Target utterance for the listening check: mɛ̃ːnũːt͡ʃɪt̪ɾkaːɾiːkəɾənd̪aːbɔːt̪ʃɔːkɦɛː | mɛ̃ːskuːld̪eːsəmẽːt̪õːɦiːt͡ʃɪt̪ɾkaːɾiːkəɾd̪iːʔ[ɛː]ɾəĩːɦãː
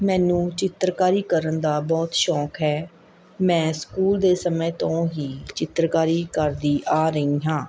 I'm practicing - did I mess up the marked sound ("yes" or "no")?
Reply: yes